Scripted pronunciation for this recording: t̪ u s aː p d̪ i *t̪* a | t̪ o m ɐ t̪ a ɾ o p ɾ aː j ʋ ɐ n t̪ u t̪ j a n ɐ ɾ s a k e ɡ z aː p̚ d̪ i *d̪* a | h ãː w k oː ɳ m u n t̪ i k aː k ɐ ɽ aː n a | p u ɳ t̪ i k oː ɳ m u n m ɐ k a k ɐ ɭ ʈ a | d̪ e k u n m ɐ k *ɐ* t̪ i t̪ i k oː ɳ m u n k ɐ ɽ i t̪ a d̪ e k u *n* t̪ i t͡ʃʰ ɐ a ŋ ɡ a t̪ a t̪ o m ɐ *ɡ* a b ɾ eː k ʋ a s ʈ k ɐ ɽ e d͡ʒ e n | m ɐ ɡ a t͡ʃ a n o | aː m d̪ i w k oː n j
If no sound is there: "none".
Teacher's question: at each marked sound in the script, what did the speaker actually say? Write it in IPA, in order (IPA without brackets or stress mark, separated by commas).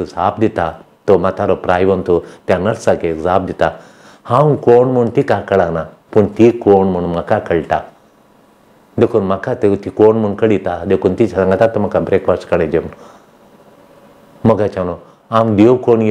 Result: t̪, t̪, a, n, k